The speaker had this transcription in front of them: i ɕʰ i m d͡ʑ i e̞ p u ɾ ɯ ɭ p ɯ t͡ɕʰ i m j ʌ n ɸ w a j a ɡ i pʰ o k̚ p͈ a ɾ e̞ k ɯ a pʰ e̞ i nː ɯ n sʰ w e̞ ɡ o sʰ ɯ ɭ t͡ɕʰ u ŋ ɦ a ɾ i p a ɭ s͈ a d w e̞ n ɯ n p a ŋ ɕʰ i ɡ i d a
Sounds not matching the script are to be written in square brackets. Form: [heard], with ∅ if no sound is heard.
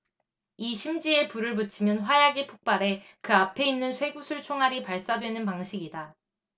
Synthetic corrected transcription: i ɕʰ i m d͡ʑ i e̞ p u ɾ ɯ ɭ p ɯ t͡ɕʰ i m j ʌ n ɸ w a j a ɡ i pʰ o k̚ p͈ a ɾ e̞ k ɯ a pʰ e̞ i nː ɯ n sʰ w e̞ ɡ [u] sʰ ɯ ɭ t͡ɕʰ [o] ŋ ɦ a ɾ i p a ɭ s͈ a d w e̞ n ɯ n p a ŋ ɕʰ i ɡ i d a